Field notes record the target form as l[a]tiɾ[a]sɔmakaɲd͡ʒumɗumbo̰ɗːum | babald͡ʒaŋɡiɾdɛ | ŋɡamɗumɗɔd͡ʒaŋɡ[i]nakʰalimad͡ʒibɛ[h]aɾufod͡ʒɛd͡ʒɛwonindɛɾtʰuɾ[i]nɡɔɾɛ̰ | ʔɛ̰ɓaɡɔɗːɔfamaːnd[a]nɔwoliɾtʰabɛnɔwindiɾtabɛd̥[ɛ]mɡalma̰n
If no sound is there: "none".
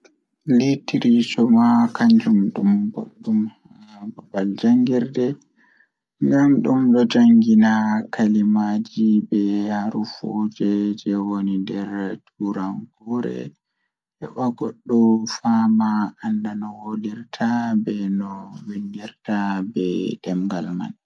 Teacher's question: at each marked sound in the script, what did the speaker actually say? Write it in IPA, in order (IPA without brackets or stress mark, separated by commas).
i, i, i, h, a, a, ɛ